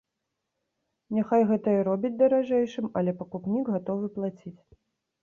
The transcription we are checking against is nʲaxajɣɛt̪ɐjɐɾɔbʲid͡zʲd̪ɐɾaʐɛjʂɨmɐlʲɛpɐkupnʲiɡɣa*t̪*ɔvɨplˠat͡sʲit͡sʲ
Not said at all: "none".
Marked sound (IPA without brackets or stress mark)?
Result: t̪